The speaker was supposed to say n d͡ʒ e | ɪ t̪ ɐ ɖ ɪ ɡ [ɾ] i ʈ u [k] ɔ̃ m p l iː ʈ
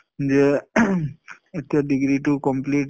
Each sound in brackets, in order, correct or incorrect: correct, correct

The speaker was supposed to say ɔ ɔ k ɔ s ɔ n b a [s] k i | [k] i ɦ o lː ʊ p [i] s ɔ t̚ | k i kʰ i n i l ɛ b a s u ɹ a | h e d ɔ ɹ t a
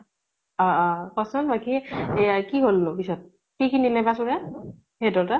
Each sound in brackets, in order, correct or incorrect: incorrect: none, correct, correct

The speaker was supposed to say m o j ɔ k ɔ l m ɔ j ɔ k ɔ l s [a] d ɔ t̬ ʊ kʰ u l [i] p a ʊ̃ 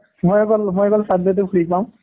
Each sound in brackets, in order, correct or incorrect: correct, correct

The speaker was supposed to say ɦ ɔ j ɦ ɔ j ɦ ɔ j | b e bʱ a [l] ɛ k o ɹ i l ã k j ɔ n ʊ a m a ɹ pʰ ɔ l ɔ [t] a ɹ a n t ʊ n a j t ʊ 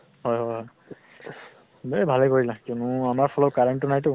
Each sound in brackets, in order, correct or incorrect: correct, incorrect: k

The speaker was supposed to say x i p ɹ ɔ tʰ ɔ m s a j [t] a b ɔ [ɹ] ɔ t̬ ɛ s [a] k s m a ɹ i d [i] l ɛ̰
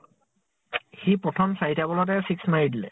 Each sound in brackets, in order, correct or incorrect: correct, incorrect: l, incorrect: i, correct

